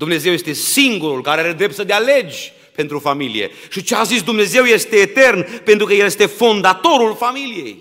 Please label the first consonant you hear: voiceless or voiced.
voiced